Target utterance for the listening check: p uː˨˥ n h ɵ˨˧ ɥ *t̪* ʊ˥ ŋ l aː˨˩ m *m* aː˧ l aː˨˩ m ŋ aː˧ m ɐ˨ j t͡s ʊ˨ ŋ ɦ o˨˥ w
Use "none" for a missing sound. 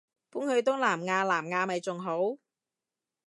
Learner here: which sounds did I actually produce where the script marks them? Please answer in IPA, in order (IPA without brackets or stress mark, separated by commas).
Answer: t̪, ŋ